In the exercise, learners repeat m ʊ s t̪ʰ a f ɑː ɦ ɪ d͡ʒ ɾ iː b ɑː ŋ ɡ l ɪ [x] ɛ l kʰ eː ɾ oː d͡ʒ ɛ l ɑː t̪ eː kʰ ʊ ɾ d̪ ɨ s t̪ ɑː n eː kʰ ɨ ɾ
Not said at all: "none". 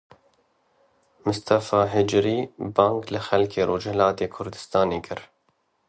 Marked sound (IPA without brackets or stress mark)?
x